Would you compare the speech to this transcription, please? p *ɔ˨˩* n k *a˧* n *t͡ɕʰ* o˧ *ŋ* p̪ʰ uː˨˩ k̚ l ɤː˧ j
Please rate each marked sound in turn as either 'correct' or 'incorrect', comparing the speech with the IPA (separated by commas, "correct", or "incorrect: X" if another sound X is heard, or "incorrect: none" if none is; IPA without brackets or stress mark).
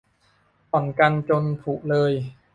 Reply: correct, correct, incorrect: t͡ɕ, incorrect: n